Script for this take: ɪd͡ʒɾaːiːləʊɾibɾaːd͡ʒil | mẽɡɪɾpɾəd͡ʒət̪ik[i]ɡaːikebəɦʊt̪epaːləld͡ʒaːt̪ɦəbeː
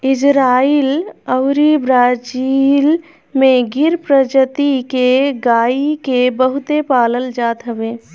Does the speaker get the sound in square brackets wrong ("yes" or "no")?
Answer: yes